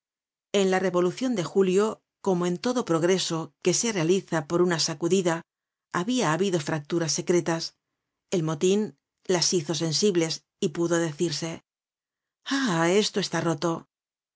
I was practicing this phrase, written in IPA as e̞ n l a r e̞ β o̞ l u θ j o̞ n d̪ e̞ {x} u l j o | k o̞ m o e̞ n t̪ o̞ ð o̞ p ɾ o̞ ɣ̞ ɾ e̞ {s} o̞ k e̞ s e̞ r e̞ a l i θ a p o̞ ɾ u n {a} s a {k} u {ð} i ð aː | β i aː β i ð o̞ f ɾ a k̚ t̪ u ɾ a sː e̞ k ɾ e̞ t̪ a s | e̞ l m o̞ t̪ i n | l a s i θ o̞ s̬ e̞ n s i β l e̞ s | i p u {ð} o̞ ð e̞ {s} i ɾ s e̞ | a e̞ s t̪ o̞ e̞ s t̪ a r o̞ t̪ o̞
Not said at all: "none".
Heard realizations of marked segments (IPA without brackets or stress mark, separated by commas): x, s, a, k, ð, ð, θ